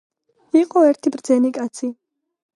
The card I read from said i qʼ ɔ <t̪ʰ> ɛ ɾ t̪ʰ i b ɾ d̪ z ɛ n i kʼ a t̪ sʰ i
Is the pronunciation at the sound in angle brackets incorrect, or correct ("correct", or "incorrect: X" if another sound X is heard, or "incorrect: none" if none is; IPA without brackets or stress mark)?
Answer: incorrect: none